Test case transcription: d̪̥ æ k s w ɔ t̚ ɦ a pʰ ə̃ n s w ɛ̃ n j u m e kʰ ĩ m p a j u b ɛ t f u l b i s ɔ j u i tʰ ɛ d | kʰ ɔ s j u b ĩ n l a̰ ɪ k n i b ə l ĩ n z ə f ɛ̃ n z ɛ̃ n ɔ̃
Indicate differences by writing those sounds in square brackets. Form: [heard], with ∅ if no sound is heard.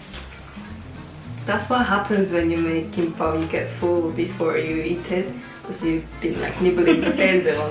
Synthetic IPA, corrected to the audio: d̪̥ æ [t] s w ɔ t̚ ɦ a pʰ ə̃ n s w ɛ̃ n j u m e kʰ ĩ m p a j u [ɡ] ɛ t f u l b i [f] ɔ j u i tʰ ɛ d | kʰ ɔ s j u b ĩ n l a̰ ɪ k n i b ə l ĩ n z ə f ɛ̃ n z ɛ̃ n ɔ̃

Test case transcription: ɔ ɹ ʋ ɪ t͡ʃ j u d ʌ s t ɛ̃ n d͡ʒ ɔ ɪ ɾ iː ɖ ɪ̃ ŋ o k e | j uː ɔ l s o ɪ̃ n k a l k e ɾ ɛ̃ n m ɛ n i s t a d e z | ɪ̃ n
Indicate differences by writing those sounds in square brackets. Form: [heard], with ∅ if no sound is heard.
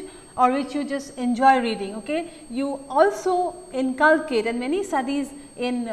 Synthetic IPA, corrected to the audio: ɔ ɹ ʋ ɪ t͡ʃ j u [d͡ʒ] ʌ s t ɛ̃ n d͡ʒ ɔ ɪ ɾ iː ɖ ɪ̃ ŋ o k e | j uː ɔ l s o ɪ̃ n k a l k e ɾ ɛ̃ n m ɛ n i s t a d [i] z | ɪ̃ n

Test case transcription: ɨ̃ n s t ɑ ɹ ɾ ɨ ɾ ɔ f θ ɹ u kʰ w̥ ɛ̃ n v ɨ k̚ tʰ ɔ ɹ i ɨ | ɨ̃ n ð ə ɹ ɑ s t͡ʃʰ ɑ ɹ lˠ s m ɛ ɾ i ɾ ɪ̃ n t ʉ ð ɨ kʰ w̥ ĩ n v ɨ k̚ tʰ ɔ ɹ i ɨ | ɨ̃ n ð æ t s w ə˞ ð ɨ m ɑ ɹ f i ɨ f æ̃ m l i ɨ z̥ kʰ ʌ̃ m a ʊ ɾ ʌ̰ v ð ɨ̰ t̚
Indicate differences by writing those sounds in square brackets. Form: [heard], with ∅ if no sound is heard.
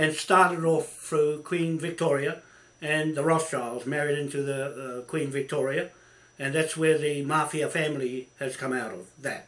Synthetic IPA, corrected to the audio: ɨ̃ n s t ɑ ɹ ɾ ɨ ɾ ɔ f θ ɹ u kʰ w̥ [ĩ] n v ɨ k̚ tʰ ɔ ɹ i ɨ | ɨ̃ n ð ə ɹ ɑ s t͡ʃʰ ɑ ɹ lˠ [z] m ɛ [ɹ] i ɾ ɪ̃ n t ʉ ð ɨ kʰ w̥ ĩ n v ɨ k̚ tʰ ɔ ɹ i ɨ | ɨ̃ n ð æ t s w ə˞ ð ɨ m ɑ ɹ f i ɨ f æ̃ m l i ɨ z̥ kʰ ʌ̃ m a ʊ ɾ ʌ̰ v ð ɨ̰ t̚

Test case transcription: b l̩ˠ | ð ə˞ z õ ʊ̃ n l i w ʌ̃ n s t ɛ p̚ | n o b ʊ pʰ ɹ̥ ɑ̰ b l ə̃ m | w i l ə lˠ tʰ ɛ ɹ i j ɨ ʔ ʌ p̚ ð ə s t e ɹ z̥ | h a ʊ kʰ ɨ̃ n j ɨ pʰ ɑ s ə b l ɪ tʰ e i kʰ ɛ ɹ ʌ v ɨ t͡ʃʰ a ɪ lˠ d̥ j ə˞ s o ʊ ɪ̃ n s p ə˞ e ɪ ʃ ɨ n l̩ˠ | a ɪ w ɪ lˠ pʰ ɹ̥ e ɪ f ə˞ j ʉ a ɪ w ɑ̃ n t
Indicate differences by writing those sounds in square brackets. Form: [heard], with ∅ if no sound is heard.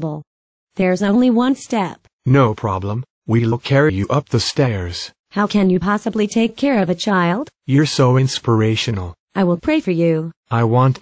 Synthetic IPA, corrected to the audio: b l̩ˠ | ð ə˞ z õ ʊ̃ n l i w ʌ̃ n s t ɛ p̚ | n o [∅] ʊ pʰ ɹ̥ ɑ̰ b l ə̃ m | w i l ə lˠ [kʰ] ɛ ɹ i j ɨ ʔ ʌ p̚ ð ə s t [ɛ] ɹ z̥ | h a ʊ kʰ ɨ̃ n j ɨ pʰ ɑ s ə b l [i] tʰ e [ɪ] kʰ ɛ ɹ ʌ v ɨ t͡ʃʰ a ɪ lˠ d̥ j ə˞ s o ʊ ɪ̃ n s p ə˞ e ɪ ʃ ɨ n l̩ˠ | a ɪ w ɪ lˠ pʰ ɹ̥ e ɪ f ə˞ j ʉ a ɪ w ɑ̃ n t

